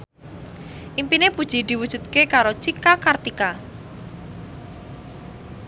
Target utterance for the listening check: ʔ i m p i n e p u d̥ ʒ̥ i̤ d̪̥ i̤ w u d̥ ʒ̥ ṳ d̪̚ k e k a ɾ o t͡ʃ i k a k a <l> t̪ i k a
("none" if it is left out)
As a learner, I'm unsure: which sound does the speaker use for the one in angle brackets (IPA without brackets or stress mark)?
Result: r